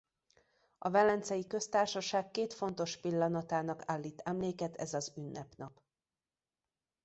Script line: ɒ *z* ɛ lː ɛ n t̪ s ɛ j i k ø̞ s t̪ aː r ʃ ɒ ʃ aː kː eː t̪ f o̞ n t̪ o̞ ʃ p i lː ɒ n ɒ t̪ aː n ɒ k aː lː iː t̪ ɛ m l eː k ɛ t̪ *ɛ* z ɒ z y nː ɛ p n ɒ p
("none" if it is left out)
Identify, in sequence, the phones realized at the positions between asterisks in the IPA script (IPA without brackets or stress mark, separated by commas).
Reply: v, ɛ